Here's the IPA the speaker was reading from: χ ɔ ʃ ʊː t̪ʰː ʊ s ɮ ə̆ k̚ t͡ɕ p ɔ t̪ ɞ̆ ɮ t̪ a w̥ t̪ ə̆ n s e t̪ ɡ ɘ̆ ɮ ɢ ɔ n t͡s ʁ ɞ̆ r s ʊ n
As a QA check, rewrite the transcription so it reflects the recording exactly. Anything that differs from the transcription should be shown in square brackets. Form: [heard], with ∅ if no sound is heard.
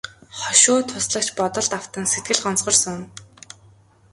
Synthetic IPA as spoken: χ ɔ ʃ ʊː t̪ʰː ʊ s ɮ ə̆ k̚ t͡ɕ p ɔ t̪ ɞ̆ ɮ t̪ a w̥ t̪ ə̆ n s e t̪ ɡ ɘ̆ ɮ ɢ ɔ n t͡s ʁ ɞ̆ r s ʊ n